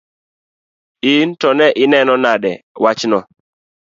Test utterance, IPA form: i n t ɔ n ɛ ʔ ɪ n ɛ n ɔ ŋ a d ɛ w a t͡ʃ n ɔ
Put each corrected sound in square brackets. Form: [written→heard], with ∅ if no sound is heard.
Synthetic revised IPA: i n t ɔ n ɛ ʔ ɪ n ɛ n ɔ [ŋ→n] a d ɛ w a t͡ʃ n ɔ